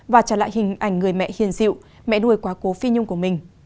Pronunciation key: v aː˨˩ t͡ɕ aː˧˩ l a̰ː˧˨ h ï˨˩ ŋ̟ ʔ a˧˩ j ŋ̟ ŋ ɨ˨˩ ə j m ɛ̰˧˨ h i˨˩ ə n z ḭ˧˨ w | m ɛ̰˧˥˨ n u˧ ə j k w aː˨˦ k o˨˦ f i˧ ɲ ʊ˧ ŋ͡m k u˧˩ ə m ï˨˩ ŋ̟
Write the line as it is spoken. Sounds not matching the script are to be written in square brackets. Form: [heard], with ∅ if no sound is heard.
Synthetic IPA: v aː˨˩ t͡ɕ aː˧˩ l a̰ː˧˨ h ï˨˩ ŋ̟ ʔ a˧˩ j ŋ̟ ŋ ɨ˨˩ ə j m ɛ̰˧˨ h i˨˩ ə n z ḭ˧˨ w | m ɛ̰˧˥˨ n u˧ ə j k w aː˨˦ k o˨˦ f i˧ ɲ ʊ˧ ŋ͡m k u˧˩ ə m ï˨˩ ŋ̟